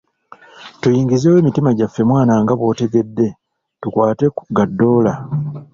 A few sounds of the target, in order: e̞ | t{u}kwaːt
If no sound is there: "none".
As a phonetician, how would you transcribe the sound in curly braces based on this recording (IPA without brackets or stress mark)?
u